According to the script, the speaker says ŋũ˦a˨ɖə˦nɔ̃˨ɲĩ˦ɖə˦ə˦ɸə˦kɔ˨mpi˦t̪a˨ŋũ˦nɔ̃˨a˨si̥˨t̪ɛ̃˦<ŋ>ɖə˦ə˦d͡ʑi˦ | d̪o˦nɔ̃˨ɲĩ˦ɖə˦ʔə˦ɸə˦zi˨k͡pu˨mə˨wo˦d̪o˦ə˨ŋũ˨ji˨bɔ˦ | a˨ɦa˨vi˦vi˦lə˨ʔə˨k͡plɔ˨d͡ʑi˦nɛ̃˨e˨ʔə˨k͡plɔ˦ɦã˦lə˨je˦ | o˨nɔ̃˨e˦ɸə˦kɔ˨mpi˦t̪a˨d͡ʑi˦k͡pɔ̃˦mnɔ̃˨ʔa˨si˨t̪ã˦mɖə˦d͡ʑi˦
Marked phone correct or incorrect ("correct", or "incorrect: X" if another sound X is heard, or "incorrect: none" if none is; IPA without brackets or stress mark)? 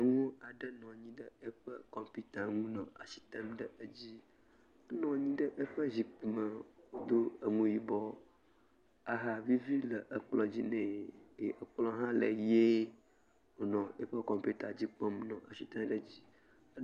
incorrect: m